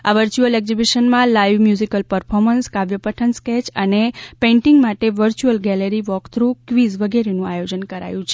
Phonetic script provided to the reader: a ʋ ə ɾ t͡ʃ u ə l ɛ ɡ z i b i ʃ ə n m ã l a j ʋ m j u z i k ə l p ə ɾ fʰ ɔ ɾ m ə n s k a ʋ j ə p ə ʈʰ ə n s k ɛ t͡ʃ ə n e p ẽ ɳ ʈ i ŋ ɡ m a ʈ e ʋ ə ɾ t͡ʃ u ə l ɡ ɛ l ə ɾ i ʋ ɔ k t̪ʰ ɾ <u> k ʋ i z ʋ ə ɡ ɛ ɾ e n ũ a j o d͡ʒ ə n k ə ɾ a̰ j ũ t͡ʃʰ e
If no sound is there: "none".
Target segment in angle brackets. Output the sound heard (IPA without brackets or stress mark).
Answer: u